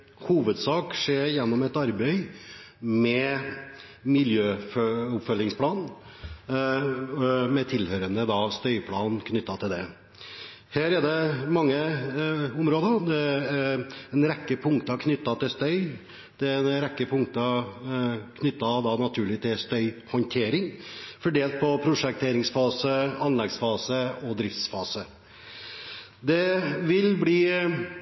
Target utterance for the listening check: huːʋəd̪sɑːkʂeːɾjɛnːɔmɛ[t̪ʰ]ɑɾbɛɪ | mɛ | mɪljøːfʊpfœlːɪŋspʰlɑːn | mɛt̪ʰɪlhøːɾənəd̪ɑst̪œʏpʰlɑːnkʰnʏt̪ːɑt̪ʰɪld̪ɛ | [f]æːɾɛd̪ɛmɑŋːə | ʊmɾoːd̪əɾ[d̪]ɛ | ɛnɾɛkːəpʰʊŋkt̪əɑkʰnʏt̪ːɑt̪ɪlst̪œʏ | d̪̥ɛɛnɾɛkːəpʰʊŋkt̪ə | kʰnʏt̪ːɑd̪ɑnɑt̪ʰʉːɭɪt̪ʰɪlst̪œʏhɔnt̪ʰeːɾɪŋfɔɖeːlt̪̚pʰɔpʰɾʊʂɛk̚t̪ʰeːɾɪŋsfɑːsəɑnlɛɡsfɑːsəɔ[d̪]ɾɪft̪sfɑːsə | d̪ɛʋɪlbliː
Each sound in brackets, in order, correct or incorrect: incorrect, incorrect, correct, correct

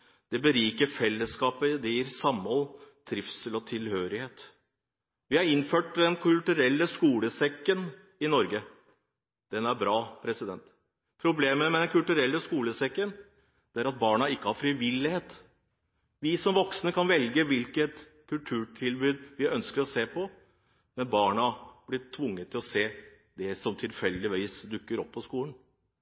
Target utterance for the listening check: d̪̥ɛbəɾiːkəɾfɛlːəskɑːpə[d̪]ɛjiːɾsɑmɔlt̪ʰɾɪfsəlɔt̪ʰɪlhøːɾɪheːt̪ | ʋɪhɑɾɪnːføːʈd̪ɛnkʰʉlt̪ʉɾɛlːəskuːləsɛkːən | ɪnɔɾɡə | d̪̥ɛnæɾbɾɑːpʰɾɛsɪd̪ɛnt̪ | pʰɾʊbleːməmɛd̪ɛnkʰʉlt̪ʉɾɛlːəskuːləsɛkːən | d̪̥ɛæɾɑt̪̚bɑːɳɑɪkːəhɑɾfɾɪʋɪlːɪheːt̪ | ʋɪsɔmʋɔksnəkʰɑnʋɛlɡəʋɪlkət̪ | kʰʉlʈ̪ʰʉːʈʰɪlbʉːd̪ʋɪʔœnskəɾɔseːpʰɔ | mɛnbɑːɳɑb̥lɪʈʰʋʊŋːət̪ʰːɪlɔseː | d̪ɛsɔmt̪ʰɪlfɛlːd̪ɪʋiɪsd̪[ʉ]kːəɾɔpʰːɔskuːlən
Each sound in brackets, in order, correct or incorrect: correct, correct

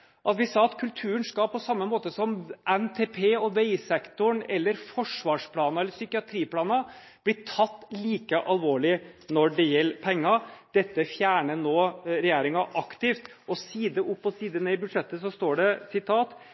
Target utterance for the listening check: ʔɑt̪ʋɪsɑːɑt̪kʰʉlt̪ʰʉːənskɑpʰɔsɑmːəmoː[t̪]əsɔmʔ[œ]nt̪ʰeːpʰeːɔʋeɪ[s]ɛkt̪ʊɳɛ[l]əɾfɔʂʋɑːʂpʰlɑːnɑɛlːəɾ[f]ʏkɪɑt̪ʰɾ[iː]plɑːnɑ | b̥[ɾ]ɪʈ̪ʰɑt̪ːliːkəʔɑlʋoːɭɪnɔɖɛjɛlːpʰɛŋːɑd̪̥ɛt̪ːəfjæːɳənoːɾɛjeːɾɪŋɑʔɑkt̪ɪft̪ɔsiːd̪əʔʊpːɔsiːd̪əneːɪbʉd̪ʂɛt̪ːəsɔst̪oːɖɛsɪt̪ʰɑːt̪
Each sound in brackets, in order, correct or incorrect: correct, incorrect, correct, incorrect, incorrect, correct, incorrect

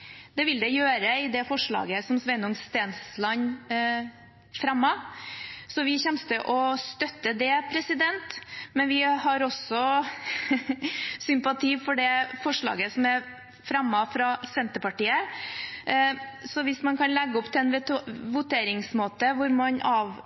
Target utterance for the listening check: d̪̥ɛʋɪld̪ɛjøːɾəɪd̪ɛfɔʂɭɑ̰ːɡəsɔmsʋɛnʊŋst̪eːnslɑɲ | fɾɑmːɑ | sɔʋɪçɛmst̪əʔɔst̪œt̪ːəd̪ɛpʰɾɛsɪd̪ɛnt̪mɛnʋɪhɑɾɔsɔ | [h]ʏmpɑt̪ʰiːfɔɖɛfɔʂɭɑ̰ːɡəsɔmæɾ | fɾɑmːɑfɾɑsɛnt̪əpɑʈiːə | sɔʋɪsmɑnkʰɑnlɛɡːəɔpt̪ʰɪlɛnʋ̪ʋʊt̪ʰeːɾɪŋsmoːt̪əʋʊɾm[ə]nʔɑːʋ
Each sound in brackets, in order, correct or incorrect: incorrect, incorrect

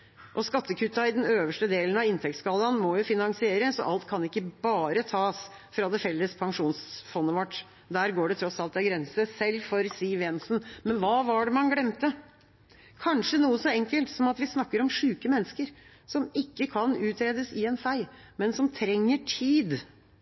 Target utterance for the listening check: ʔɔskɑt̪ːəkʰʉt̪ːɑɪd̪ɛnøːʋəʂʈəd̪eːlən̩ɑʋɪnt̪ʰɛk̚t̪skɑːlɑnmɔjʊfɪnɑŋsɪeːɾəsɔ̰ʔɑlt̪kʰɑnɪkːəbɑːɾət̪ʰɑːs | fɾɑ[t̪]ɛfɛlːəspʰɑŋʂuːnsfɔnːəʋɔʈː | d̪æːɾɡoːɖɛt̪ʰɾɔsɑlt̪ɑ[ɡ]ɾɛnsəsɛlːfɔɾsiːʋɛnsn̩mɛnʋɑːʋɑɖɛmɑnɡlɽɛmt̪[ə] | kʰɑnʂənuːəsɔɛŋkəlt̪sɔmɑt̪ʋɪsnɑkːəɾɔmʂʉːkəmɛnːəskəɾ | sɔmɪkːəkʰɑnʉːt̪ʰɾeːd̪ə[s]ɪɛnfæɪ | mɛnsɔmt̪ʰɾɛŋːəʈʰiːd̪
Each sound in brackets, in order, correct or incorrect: incorrect, correct, correct, correct

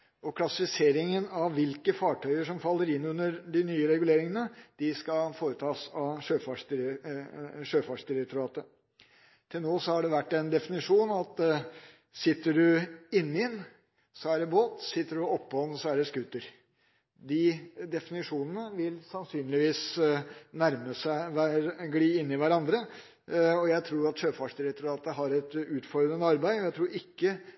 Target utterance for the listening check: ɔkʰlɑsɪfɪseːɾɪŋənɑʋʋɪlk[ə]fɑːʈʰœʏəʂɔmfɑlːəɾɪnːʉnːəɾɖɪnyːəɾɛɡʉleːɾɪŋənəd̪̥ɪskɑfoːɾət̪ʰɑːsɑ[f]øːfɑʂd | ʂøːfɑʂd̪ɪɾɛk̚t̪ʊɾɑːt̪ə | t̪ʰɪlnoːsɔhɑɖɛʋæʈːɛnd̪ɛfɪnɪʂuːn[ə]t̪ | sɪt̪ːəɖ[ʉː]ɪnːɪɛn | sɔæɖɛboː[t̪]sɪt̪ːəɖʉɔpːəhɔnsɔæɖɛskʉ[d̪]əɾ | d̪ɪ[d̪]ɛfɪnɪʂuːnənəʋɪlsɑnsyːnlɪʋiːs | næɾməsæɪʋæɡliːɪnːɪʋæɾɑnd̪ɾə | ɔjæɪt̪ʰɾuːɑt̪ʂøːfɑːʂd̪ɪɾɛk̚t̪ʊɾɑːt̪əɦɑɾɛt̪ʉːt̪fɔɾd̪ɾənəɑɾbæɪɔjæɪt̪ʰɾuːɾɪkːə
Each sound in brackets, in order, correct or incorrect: correct, incorrect, incorrect, incorrect, correct, incorrect, correct

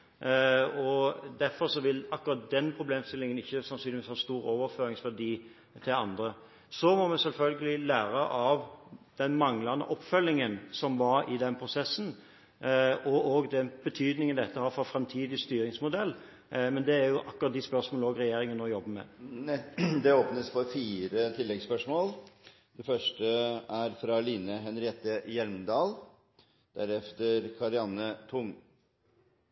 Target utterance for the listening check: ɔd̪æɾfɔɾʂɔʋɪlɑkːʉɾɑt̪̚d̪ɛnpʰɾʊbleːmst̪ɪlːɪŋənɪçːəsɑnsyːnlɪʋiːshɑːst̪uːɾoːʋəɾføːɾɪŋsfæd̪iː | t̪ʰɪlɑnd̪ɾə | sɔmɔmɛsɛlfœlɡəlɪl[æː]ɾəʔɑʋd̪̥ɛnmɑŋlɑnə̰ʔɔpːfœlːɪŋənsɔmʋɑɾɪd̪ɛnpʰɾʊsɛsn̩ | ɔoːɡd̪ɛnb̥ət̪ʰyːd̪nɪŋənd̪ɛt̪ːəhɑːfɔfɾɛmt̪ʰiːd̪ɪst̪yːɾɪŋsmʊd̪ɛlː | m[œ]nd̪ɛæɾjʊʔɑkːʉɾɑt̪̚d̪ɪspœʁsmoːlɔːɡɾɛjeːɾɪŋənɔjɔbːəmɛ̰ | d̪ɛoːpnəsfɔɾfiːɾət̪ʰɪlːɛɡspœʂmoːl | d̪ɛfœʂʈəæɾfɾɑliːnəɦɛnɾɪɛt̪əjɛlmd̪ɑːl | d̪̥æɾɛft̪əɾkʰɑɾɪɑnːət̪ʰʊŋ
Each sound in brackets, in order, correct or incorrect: correct, incorrect

